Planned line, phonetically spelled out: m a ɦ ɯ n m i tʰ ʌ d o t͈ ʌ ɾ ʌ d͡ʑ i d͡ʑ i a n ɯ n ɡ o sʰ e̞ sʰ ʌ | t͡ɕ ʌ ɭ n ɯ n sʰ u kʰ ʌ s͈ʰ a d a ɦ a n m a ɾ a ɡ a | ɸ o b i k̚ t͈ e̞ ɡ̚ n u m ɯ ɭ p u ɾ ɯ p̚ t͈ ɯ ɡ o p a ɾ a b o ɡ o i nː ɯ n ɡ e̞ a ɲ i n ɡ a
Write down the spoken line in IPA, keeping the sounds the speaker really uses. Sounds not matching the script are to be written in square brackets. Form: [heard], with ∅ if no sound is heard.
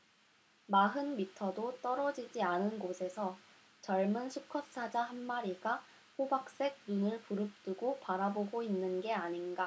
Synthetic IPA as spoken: m a ɦ ɯ n m i tʰ ʌ d o t͈ ʌ ɾ ʌ d͡ʑ i d͡ʑ i a n ɯ n ɡ o sʰ e̞ sʰ ʌ | t͡ɕ ʌ ɭ [m] ɯ n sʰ u kʰ ʌ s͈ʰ a [d͡ʑ] a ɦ a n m a ɾ [i] ɡ a | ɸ o b [a] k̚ [s͈] e̞ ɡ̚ n u [n] ɯ ɭ p u ɾ ɯ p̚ t͈ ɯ ɡ o p a ɾ a b o ɡ o i nː ɯ n ɡ e̞ a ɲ i n ɡ a